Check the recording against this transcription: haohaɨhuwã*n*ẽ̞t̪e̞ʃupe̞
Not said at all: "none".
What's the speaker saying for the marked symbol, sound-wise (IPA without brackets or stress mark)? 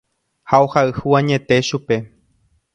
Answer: ɲ